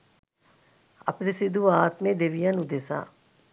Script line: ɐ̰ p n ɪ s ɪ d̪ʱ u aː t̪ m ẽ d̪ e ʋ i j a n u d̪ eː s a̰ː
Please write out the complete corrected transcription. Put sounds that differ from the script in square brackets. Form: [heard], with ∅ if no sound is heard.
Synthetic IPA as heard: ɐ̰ p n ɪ s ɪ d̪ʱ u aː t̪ m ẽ d̪ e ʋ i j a n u d̪ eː s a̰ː